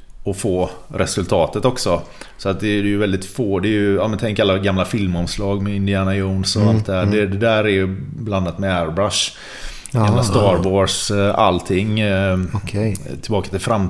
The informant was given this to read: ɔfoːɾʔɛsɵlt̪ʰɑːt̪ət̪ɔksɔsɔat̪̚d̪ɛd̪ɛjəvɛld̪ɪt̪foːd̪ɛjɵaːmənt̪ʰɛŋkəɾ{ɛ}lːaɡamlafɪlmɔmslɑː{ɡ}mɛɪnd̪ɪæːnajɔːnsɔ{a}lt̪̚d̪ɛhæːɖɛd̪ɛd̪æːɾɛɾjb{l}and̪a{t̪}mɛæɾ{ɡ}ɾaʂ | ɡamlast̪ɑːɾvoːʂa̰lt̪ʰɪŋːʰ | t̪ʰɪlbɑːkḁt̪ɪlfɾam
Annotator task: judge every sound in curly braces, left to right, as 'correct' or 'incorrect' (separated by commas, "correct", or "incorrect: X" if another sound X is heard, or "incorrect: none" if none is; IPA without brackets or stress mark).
incorrect: a, correct, correct, correct, correct, incorrect: b